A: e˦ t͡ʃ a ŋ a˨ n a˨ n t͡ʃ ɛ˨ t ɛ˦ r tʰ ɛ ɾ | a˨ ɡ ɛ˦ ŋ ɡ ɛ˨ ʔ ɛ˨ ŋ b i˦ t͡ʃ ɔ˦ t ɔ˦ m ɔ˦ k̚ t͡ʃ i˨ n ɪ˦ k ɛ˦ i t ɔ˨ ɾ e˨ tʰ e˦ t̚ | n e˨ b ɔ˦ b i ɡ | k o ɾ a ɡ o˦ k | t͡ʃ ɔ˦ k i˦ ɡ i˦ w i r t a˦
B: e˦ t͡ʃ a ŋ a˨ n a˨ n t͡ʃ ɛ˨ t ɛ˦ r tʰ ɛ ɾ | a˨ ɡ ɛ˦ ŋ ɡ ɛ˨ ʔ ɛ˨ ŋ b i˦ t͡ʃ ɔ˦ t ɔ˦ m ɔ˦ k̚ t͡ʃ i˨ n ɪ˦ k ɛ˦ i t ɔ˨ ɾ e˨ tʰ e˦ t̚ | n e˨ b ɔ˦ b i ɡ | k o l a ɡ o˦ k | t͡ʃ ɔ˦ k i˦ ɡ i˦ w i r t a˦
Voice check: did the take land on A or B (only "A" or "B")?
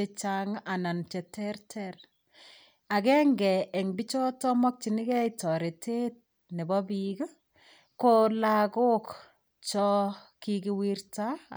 B